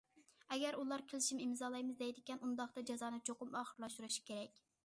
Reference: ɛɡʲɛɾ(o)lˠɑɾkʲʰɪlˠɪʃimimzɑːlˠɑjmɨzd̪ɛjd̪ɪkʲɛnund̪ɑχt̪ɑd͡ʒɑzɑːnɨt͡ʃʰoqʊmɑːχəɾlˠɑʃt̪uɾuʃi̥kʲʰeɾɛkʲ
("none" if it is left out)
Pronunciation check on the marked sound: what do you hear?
u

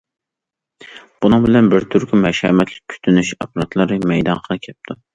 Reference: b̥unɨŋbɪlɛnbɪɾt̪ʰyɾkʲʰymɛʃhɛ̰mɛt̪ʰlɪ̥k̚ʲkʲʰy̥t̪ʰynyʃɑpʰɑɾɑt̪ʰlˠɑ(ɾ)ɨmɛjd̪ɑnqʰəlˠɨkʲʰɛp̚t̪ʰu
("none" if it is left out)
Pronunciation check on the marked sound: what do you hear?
ɾ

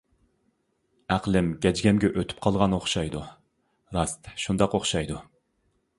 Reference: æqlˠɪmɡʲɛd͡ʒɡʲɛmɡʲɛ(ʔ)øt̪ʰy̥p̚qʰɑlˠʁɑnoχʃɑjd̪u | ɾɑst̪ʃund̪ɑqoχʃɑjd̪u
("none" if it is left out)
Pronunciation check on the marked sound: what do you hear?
ʔ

